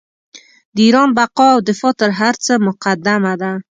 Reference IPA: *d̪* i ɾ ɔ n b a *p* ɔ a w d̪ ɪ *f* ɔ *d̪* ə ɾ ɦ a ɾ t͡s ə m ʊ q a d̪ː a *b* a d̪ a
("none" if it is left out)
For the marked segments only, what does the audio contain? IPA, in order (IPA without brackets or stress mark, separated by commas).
d̪, q, f, t̪, m